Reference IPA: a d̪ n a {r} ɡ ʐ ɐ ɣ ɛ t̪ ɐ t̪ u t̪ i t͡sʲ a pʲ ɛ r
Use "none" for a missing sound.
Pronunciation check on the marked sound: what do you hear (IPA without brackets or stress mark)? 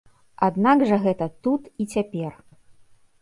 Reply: none